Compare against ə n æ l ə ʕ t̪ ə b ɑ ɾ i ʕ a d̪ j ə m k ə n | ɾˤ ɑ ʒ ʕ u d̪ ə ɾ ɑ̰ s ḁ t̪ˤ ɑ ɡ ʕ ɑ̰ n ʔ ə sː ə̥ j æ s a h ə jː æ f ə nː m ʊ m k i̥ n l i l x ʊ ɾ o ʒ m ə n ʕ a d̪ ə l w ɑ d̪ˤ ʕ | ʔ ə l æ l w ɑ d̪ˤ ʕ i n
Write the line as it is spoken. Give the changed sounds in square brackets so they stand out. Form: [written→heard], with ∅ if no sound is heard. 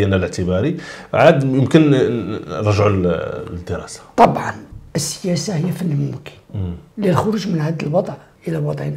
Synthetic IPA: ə n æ l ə ʕ t̪ ə b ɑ ɾ i ʕ a d̪ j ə m k ə n | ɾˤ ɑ ʒ ʕ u d̪ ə ɾ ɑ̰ s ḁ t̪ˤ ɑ [ɡ→b] ʕ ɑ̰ n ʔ ə sː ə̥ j æ s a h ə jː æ f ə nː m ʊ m k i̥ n l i l x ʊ ɾ [o→u] ʒ m ə n ʕ a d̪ ə l w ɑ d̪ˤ ʕ | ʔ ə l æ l w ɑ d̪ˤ ʕ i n